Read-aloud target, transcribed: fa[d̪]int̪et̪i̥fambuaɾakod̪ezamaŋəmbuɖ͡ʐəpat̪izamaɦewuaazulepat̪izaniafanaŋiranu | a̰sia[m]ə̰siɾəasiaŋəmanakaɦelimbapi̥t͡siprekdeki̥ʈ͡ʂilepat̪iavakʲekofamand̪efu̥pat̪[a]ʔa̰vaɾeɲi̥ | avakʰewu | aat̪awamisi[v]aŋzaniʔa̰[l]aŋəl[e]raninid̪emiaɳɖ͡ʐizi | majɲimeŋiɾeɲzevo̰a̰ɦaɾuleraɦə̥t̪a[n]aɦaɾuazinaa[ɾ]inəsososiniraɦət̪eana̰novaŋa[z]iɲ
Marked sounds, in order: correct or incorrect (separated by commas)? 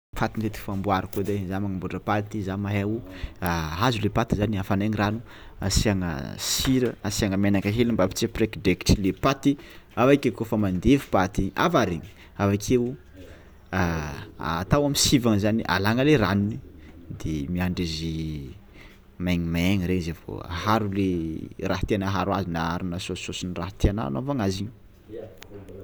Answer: incorrect, incorrect, incorrect, correct, correct, correct, correct, correct, correct